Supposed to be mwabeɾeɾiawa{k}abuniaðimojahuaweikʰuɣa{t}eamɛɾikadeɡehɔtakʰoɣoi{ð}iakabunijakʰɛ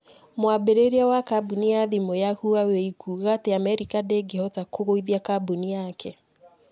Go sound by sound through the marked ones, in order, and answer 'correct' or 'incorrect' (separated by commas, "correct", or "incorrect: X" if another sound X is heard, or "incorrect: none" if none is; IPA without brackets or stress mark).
correct, correct, correct